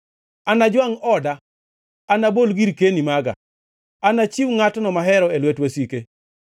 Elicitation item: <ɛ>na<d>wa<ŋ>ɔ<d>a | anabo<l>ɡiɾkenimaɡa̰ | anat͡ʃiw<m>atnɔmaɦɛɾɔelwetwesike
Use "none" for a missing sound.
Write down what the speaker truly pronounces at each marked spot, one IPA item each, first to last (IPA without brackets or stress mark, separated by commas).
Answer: a, d͡ʒ, ŋ, d, l, ŋ